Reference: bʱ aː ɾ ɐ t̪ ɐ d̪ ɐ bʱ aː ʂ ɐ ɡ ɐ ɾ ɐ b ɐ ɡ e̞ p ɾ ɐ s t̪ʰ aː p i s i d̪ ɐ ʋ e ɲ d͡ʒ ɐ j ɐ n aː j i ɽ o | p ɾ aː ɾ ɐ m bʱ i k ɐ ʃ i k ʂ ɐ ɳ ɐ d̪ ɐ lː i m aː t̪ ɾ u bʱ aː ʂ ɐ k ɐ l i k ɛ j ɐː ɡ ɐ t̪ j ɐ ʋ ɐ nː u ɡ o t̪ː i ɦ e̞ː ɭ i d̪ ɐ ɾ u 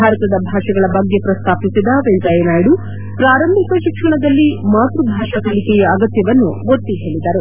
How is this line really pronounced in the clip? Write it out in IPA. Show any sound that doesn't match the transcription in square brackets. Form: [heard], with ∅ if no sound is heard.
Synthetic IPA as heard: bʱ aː ɾ ɐ t̪ ɐ d̪ ɐ bʱ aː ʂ ɐ ɡ ɐ [ɭ] ɐ b ɐ [ɡː] e̞ p ɾ ɐ s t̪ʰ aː p i s i d̪ ɐ ʋ e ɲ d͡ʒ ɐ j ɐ n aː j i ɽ [u] | p ɾ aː ɾ ɐ m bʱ i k ɐ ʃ i k ʂ ɐ ɳ ɐ d̪ ɐ lː i m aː t̪ ɾ u bʱ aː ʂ ɐ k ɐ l i k ɛ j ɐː ɡ ɐ t̪ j ɐ ʋ ɐ nː u ɡ o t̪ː i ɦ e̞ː ɭ i d̪ ɐ ɾ u